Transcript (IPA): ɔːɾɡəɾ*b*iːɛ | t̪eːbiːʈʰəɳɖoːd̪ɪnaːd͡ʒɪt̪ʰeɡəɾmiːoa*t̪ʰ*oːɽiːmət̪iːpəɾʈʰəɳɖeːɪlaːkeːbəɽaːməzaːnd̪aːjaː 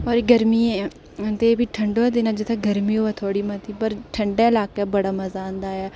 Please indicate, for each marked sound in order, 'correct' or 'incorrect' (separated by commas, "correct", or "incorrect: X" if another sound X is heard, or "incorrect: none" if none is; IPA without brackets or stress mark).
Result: incorrect: m, correct